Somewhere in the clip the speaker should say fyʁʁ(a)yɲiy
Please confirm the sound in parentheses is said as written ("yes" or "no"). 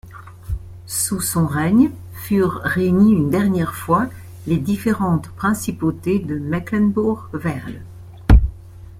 no